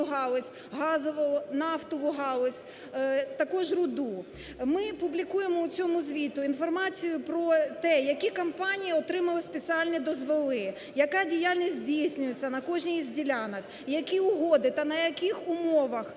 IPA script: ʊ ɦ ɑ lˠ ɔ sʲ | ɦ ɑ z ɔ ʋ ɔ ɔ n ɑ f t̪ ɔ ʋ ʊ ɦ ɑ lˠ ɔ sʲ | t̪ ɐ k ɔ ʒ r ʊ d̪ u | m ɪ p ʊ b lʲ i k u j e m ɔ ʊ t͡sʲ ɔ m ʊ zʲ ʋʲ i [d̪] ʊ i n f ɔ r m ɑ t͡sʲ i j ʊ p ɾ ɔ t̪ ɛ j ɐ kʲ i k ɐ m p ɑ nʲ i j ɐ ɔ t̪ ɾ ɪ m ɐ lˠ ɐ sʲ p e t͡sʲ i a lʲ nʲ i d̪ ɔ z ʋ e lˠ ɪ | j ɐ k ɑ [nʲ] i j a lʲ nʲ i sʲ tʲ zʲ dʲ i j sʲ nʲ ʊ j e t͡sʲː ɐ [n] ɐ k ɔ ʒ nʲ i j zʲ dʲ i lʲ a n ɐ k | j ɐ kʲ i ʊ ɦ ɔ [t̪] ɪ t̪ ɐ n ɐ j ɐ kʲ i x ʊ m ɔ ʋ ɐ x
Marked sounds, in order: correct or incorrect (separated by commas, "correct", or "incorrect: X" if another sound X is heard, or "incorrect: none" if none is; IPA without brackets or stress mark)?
incorrect: t̪, incorrect: dʲ, correct, incorrect: d̪